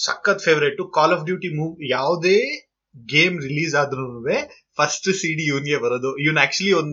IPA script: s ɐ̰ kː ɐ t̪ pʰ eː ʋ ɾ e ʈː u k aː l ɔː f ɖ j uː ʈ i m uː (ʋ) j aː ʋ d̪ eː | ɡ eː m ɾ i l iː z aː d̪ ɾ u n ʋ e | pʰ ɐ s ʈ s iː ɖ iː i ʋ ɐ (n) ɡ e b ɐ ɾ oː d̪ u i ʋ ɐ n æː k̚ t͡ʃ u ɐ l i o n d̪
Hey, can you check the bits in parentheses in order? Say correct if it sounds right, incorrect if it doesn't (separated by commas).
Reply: correct, correct